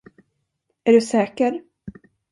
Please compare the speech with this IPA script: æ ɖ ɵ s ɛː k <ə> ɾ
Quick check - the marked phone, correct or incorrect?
correct